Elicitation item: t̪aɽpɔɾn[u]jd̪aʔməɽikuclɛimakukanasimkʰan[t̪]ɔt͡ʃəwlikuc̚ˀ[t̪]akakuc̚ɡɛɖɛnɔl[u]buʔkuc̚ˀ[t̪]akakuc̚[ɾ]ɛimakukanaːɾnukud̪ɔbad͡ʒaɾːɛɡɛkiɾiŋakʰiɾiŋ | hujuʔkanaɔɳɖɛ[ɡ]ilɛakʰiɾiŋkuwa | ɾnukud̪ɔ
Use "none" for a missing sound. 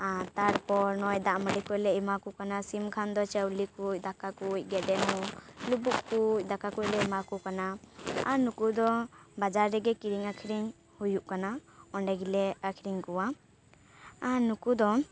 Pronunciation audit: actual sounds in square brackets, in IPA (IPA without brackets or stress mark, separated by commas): ɔ, d̪, d̪, u, d̪, l, ɡ